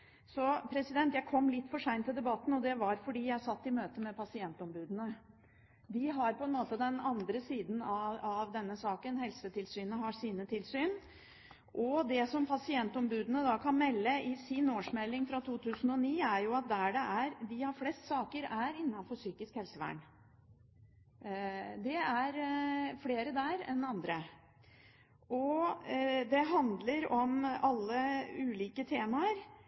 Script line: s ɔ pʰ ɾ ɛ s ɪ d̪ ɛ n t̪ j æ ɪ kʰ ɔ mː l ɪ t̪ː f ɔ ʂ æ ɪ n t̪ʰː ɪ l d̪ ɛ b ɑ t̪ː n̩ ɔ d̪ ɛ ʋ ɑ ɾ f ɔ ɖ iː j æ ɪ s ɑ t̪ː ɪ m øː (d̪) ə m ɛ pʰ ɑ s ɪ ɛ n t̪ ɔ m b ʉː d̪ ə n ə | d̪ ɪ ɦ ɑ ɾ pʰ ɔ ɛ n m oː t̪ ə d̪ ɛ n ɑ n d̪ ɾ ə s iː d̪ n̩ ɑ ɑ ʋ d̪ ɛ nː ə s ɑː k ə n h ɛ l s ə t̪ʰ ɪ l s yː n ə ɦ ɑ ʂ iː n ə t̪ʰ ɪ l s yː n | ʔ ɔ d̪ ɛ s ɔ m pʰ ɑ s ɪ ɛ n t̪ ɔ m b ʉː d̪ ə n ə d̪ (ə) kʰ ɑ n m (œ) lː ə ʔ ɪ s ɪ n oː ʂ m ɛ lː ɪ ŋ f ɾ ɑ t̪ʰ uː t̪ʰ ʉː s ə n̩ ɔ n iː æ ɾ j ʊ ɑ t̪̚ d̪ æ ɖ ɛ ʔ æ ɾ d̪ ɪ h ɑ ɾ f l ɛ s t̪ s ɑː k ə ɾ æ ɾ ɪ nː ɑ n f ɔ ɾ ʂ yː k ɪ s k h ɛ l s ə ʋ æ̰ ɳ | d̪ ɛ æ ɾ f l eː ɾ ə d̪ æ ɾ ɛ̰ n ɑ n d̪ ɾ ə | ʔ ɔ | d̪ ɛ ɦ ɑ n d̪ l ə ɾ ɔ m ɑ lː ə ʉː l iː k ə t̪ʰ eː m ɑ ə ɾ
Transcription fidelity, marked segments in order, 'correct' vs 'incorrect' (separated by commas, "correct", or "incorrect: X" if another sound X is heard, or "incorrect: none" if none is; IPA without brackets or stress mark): incorrect: t̪, incorrect: ɑ, incorrect: ɛ